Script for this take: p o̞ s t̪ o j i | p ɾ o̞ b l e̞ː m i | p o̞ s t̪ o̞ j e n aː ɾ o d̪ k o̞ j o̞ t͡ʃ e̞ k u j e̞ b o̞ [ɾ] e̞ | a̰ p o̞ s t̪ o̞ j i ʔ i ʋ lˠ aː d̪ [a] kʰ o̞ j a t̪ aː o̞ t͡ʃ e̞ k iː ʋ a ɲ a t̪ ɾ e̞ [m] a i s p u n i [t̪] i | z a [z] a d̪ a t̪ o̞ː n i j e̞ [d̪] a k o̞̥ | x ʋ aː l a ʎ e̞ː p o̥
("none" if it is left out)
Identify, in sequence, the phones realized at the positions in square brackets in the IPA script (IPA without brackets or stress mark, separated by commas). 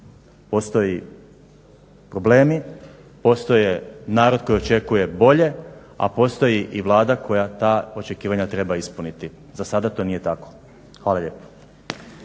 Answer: ʎ, a, b, t̪, s, t̪